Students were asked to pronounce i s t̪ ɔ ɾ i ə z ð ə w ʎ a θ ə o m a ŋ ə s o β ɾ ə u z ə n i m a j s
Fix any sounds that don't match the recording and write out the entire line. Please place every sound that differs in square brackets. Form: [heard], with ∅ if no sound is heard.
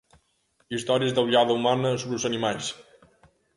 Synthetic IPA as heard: i s t̪ ɔ ɾ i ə z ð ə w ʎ a [ð] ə [u] m a [n] ə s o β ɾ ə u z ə n i m a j s